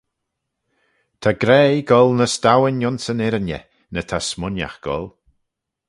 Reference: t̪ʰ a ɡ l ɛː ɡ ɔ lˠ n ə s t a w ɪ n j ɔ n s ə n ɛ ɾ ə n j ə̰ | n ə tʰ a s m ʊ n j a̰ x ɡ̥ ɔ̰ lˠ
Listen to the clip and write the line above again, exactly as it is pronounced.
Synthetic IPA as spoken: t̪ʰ a ɡ ɾ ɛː ɡ ɔ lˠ n ə s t a w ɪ n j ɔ n s ə n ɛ ɾ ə n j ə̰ | n ə tʰ a s m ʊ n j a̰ x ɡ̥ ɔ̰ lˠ